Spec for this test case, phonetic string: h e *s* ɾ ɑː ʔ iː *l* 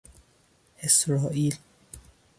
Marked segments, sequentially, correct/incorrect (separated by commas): correct, correct